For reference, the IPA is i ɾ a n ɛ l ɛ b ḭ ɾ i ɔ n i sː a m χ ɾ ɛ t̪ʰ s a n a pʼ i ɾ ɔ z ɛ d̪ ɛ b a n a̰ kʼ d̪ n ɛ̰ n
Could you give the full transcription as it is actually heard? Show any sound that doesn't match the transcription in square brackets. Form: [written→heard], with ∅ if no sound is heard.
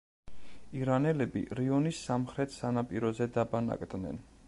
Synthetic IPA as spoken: i ɾ a n ɛ l ɛ b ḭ ɾ i ɔ n i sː a m χ ɾ ɛ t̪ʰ s a n a pʼ i ɾ ɔ z ɛ d̪ [ɛ→a] b a n a̰ kʼ d̪ n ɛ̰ n